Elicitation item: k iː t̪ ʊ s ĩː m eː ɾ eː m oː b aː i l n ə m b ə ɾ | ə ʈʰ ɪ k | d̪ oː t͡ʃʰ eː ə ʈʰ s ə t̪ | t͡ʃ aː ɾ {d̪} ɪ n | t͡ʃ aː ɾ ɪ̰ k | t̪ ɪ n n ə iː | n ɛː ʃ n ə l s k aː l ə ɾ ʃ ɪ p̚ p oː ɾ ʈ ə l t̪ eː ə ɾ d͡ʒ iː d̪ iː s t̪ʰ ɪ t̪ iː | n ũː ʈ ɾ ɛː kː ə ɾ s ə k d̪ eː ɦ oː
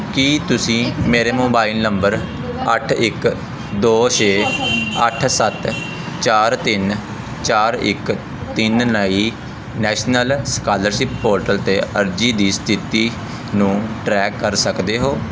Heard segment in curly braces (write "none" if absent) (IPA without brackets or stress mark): t̪